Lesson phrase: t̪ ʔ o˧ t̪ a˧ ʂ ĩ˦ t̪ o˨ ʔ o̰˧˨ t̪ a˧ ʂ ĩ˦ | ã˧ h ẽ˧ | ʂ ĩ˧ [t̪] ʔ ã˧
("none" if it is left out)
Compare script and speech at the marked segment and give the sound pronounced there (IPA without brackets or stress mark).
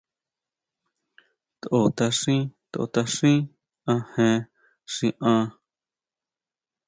none